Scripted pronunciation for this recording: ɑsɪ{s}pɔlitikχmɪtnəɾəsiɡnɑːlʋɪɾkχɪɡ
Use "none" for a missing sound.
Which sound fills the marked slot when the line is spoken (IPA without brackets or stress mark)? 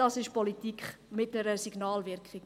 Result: ʃ